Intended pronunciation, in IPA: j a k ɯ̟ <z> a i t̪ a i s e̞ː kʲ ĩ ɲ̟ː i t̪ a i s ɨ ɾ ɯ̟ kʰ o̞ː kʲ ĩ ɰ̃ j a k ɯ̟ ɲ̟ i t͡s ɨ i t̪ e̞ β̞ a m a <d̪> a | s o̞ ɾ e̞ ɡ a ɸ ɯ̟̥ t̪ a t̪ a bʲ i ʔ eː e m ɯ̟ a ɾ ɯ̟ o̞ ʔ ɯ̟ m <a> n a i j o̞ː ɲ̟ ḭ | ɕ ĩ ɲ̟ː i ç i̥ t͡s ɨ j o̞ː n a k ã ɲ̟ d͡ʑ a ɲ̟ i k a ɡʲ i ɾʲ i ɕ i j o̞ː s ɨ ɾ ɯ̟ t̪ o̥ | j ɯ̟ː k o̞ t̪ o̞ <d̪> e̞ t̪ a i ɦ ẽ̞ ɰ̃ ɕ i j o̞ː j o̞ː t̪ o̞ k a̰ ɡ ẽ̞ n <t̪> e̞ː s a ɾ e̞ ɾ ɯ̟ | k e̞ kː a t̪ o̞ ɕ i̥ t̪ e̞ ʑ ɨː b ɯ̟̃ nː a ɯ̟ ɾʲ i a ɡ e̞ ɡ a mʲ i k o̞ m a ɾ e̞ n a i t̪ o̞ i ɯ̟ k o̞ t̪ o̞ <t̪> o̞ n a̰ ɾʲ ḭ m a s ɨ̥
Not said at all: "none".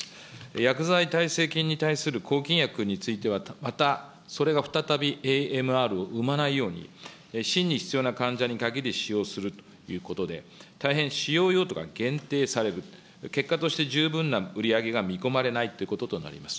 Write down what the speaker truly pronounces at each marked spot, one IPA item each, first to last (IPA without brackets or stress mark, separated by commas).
z, t̪, a, d̪, t̪, t̪